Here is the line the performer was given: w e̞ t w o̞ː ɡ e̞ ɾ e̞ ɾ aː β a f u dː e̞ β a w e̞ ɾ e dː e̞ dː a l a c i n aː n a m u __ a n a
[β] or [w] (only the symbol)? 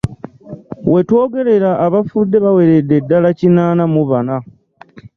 β